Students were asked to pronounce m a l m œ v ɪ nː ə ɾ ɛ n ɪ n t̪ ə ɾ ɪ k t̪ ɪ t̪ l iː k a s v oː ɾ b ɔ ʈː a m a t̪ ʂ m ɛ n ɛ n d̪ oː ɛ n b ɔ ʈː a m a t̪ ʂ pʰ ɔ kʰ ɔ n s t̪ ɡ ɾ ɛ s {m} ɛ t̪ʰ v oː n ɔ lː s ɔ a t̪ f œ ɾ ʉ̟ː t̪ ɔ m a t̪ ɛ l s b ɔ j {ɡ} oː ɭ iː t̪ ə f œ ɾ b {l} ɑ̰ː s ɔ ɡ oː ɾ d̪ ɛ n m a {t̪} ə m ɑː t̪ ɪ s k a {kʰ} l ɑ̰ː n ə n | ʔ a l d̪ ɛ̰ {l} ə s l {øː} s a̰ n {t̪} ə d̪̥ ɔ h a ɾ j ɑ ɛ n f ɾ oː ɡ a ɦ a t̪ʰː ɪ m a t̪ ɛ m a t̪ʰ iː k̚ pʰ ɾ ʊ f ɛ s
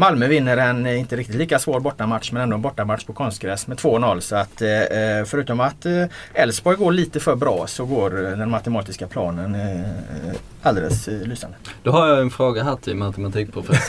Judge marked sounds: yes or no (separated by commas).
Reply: yes, yes, no, yes, no, yes, no, no